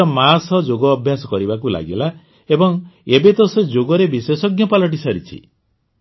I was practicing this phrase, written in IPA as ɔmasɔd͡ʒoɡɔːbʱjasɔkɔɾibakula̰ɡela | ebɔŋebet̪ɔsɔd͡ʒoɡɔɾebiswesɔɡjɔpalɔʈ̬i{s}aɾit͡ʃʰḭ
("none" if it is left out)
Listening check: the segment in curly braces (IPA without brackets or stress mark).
s